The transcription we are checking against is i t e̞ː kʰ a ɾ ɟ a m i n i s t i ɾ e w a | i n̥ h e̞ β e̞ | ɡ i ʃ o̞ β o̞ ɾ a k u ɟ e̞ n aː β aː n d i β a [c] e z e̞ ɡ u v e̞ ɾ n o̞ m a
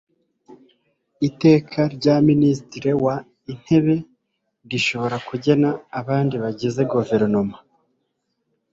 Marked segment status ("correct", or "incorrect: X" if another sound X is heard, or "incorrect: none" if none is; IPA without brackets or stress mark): incorrect: ɟ